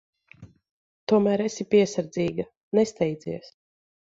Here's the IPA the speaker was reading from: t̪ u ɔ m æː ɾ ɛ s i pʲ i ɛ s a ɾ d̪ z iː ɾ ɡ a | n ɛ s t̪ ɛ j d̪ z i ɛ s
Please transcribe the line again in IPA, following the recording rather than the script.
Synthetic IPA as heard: t̪ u ɔ m æː ɾ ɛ s i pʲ i ɛ s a ɾ d̪ z iː ɡ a | n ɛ s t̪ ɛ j d̪ z i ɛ s